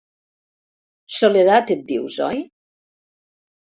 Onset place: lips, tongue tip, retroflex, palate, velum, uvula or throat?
tongue tip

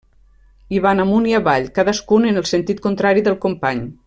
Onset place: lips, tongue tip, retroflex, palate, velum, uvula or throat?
lips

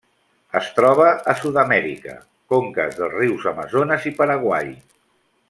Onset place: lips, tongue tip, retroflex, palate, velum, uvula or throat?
tongue tip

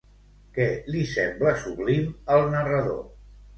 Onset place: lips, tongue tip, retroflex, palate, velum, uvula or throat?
velum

